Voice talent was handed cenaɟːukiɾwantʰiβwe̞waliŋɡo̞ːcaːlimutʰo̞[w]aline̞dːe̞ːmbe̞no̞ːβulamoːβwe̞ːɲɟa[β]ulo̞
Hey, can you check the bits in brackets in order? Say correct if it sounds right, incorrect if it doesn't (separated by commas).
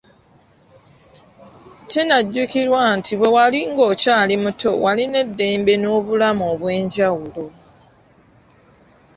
correct, incorrect